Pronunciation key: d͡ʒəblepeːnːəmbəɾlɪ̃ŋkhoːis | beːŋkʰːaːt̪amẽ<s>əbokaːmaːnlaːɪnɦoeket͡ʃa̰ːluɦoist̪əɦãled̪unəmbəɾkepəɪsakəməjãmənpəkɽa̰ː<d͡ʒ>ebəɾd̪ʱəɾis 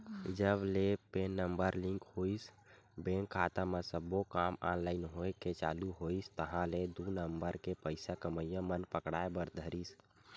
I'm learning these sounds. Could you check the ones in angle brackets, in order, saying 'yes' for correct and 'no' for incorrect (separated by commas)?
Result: yes, no